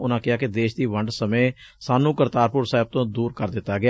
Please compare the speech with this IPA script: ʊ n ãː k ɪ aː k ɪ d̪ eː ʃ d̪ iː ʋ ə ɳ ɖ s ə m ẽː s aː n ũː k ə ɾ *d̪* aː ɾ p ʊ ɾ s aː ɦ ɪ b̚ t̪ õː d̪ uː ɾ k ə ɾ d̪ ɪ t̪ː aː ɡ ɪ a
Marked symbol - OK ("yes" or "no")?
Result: no